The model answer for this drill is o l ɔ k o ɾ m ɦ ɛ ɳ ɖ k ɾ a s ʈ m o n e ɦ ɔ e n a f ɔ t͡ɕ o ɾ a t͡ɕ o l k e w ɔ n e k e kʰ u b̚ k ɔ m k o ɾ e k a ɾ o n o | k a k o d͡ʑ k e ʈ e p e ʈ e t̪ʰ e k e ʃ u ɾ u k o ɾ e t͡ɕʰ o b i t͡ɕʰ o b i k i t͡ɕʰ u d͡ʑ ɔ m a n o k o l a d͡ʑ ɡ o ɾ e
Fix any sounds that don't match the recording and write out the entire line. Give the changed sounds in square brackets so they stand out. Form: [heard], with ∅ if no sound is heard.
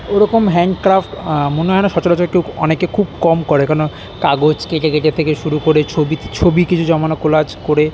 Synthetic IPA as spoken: o [ɾ] ɔ k o [∅] m ɦ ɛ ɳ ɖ k ɾ a [f] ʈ m o n e ɦ ɔ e n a [ʃ] ɔ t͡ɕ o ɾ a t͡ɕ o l k e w ɔ n e k e kʰ u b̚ k ɔ m k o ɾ e k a ɾ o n o | k a [ɡ] o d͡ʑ k e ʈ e [k] e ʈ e t̪ʰ e k e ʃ u ɾ u k o ɾ e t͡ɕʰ o b i t͡ɕʰ o b i k i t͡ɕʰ u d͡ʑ ɔ m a n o k o l a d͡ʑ [k] o ɾ e

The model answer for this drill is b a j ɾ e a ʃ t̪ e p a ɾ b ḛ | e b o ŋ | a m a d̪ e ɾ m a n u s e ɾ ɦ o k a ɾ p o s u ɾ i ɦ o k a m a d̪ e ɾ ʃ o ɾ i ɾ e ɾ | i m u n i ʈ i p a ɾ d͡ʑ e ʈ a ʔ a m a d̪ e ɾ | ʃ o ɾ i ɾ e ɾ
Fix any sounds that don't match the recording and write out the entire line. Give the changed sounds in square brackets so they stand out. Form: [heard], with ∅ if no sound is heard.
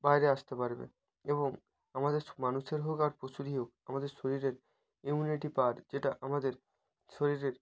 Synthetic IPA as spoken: b a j ɾ e a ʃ t̪ e p a ɾ b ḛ | e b o ŋ | a m a d̪ e ɾ m a n u [ʃ] e ɾ ɦ o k a ɾ p o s u ɾ i ɦ o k a m a d̪ e ɾ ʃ o ɾ i ɾ e ɾ | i m u n i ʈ i p a ɾ d͡ʑ e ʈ a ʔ a m a d̪ e ɾ | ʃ o ɾ i ɾ e ɾ

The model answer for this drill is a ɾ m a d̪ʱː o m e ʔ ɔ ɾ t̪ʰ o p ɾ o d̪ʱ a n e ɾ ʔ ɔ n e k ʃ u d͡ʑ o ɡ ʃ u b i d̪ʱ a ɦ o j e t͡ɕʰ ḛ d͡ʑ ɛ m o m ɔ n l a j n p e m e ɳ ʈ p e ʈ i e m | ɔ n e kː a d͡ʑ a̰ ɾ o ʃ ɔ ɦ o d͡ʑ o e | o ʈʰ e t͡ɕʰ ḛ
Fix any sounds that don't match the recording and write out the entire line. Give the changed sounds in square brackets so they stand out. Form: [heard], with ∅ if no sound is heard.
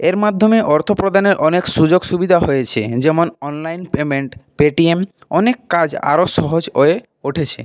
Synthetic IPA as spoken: [e] ɾ m a d̪ʱː o m e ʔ ɔ ɾ t̪ʰ o p ɾ o d̪ʱ a n e ɾ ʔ ɔ n e k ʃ u d͡ʑ o ɡ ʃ u b i d̪ʱ a ɦ o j e t͡ɕʰ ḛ d͡ʑ ɛ m o [n] ɔ n l a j n p e m e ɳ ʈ p e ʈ i e m | ɔ n e kː a d͡ʑ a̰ ɾ o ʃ ɔ ɦ o d͡ʑ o e | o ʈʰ e t͡ɕʰ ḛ

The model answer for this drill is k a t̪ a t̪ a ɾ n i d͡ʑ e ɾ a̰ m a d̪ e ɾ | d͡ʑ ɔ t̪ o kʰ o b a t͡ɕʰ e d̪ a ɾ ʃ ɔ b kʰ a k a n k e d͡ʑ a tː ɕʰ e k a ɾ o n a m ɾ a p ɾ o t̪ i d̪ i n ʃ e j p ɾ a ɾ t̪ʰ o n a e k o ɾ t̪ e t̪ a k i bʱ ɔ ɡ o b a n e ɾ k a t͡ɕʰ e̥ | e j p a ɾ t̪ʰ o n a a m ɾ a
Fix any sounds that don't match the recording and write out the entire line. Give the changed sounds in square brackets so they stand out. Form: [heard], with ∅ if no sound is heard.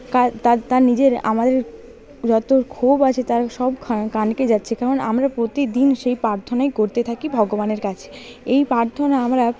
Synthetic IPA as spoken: k a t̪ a t̪ a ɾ n i d͡ʑ e ɾ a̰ m a d̪ e ɾ | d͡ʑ ɔ t̪ o kʰ o b a t͡ɕʰ e [t̪] a ɾ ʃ ɔ b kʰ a k a n k e d͡ʑ a tː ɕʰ e k a ɾ o n a m ɾ a p ɾ o t̪ i d̪ i n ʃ e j p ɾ a ɾ t̪ʰ o n a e k o ɾ t̪ e [t̪ʰ] a k i bʱ ɔ ɡ o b a n e ɾ k a t͡ɕʰ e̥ | e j p a ɾ t̪ʰ o n a a m ɾ a

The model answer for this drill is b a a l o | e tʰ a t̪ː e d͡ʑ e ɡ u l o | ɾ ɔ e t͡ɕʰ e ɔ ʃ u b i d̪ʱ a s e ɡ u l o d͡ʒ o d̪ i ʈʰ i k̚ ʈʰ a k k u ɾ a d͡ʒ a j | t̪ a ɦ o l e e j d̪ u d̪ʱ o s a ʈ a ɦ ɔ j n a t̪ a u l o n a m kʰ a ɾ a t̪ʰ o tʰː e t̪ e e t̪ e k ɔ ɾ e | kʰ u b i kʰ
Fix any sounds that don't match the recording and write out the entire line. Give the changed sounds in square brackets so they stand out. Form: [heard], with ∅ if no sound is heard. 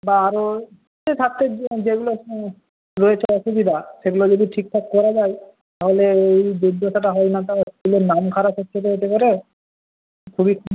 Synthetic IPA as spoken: b a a [ɾ] o | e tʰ a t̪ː e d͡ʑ e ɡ u l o | ɾ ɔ e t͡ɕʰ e ɔ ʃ u b i d̪ʱ a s e ɡ u l o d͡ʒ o d̪ i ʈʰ i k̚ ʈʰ a k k [ɔ] ɾ a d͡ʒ a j | t̪ a ɦ o l e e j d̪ u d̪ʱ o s a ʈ a ɦ ɔ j n a t̪ a u l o n a m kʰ a ɾ a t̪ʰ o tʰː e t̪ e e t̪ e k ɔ ɾ e | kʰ u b i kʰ

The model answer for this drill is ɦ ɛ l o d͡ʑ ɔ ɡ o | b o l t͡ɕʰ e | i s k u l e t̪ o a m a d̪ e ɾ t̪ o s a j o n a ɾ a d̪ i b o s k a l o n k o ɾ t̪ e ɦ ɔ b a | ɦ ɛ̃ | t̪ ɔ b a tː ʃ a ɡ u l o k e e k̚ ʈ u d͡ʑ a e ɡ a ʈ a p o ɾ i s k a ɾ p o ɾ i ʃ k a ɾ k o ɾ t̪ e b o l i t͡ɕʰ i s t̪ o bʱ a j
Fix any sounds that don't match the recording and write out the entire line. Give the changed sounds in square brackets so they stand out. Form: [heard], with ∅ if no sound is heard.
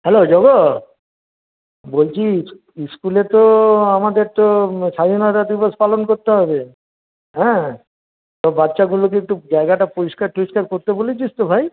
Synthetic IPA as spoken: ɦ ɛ l o d͡ʑ ɔ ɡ o | b o l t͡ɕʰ [i] | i s k u l e t̪ o a m a d̪ e ɾ t̪ o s a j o n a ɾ a d̪ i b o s [p] a l o n k o ɾ t̪ e ɦ ɔ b [e] | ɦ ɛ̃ | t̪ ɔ b a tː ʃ a ɡ u l o k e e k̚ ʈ u d͡ʑ a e ɡ a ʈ a p o ɾ i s k a ɾ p o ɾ i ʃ k a ɾ k o ɾ t̪ e b o l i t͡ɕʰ i s t̪ o bʱ a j

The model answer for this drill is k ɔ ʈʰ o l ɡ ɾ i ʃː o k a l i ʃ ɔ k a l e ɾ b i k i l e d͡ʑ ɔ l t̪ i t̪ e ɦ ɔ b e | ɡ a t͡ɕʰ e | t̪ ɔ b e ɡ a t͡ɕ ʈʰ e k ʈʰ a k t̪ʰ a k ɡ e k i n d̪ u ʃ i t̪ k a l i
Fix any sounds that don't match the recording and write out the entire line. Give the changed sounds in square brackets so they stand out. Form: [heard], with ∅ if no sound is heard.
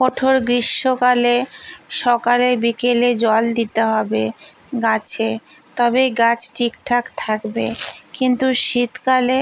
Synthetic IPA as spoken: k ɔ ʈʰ o [ɾ] ɡ ɾ i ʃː o k a l [e] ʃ ɔ k a l e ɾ b i k [e] l e d͡ʑ ɔ l [d̪] i t̪ e ɦ ɔ b e | ɡ a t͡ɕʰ e | t̪ ɔ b e ɡ a t͡ɕ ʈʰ [i] k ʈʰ a k t̪ʰ a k [b] e k i n [t̪] u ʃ i t̪ k a l [e]

